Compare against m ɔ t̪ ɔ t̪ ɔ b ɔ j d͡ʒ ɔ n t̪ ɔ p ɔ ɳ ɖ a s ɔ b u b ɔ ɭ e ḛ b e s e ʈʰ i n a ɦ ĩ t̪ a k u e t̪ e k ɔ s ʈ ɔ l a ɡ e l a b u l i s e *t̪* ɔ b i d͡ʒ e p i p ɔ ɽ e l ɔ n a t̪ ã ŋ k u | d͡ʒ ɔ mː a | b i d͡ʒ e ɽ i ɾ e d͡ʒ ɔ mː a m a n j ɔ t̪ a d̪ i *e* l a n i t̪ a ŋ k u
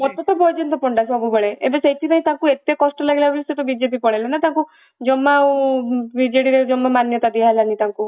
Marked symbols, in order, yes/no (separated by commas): yes, no